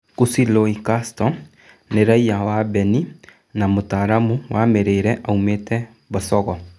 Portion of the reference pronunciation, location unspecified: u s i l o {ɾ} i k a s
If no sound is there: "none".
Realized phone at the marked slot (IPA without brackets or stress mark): none